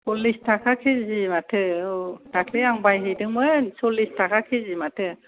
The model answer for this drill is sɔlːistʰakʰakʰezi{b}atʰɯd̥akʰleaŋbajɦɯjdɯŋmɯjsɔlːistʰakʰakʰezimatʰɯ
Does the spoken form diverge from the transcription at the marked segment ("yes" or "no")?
yes